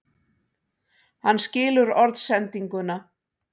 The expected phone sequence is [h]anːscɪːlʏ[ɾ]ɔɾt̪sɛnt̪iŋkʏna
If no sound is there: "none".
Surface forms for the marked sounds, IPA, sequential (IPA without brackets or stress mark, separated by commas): h, ɾ